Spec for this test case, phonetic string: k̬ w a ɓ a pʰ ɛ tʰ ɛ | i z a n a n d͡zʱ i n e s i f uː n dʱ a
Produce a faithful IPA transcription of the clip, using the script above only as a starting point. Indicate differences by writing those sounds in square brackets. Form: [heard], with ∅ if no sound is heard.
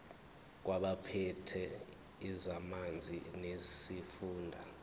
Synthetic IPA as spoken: k̬ w a ɓ a pʰ ɛ tʰ ɛ | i z a [m] a n d͡zʱ i n e s i f uː n dʱ a